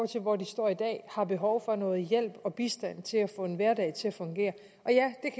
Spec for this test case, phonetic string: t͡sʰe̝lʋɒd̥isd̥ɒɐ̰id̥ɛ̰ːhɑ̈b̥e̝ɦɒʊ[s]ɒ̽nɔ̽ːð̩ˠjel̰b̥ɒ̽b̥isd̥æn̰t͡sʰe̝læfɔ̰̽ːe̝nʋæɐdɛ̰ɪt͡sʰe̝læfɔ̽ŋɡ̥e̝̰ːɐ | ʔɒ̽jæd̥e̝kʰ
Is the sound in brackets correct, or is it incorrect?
incorrect